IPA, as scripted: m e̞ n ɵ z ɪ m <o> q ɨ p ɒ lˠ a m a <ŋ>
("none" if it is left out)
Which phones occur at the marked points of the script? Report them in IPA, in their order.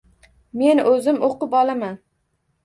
o, n

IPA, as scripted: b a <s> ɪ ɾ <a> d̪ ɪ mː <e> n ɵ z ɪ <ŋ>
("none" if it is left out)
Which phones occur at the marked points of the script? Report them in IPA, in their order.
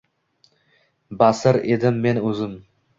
s, e, e, m

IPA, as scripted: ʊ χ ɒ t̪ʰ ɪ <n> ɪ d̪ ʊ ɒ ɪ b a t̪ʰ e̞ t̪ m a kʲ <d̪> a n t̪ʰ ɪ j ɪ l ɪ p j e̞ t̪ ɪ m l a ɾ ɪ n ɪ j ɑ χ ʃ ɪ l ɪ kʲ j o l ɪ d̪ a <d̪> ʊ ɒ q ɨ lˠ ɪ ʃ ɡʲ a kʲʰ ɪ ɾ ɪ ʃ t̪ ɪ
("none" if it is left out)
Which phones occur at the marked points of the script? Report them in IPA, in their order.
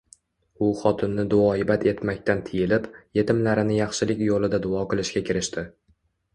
nː, t̪, d̪

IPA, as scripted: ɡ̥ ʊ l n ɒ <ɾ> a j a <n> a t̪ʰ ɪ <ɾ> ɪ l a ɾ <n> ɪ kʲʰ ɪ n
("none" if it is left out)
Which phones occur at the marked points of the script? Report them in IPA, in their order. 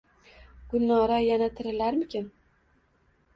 ɾ, n, ɾ, m

